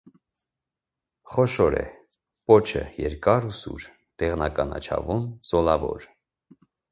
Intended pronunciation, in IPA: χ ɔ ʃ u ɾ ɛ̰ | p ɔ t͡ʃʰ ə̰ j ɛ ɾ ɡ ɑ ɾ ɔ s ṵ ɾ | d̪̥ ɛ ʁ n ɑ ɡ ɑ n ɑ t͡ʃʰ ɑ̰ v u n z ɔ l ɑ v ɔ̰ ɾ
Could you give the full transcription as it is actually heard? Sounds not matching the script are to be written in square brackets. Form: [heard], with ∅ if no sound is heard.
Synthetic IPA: χ ɔ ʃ [ɔ] ɾ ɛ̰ | p ɔ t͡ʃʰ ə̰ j ɛ ɾ [k] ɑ ɾ [u] s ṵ ɾ | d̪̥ ɛ ʁ n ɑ [k] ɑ n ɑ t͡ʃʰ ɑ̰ v u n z ɔ l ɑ v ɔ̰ ɾ

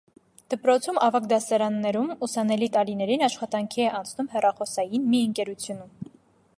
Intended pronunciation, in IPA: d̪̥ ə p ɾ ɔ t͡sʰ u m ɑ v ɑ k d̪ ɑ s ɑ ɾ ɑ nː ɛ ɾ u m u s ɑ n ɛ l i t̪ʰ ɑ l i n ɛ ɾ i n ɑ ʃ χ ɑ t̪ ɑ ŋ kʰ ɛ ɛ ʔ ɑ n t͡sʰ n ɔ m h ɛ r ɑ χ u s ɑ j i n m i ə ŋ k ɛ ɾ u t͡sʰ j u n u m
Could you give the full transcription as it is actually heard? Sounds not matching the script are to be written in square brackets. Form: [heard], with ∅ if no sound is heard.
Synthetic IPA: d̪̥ ə p ɾ ɔ t͡sʰ u m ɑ v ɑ k d̪ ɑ s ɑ ɾ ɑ nː ɛ ɾ u m u s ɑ n ɛ l i [t̪] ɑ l i n ɛ ɾ i n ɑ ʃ χ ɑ t̪ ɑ ŋ kʰ [i] ɛ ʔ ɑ n t͡sʰ n [u] m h ɛ r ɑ χ [ɔ] s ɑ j i n m i ə ŋ k ɛ ɾ u t͡sʰ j u n u m

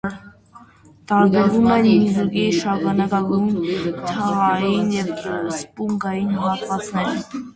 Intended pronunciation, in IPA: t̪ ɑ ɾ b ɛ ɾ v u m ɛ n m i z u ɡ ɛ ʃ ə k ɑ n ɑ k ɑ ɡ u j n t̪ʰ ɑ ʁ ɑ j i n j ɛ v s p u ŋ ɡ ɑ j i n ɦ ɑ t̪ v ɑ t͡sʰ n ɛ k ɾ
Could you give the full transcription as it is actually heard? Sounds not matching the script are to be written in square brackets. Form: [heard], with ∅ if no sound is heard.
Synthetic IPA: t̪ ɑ ɾ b ɛ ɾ v u m ɛ n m i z u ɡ [i] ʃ [ɑ] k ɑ n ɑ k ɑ ɡ u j n t̪ʰ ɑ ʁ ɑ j i n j ɛ v s p u ŋ ɡ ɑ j i n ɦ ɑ t̪ v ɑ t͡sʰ n ɛ [∅] ɾ

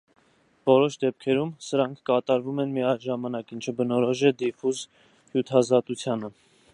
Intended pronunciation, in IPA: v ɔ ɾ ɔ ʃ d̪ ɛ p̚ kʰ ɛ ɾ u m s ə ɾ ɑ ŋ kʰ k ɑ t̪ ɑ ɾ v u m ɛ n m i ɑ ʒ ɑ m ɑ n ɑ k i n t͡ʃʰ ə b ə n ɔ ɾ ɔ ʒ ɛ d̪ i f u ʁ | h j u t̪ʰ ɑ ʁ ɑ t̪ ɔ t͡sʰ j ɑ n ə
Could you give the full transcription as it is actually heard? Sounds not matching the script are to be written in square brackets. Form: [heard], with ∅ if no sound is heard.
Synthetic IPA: v ɔ ɾ ɔ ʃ d̪ ɛ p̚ kʰ ɛ ɾ u m s ə ɾ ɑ ŋ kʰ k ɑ t̪ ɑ ɾ v u m ɛ n m i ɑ ʒ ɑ m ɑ n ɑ k i n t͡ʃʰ ə b ə n ɔ ɾ ɔ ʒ ɛ d̪ i f u [z] | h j u t̪ʰ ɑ [z] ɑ t̪ [u] t͡sʰ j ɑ n ə

